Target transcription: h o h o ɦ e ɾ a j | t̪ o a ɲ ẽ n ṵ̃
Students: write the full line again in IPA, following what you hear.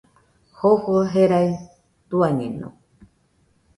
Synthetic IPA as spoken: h o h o ɦ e ɾ a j | t̪ u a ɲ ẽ n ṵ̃